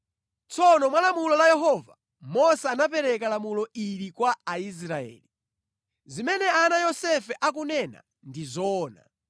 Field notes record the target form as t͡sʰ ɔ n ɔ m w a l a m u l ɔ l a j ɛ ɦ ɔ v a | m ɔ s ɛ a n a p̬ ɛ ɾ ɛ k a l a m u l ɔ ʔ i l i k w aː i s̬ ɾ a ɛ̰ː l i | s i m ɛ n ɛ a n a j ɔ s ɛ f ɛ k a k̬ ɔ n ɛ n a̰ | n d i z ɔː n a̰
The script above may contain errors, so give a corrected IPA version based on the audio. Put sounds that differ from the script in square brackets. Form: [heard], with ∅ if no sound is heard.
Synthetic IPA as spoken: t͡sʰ ɔ n ɔ m w a l a m u l ɔ l a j ɛ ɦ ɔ v a | m ɔ s ɛ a n a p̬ ɛ ɾ ɛ k a l a m u l ɔ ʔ i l i k w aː i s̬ ɾ a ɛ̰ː l i | [z] i m ɛ n ɛ a n a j ɔ s ɛ f ɛ [ʔ] a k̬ [u] n ɛ n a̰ | n d i z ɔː n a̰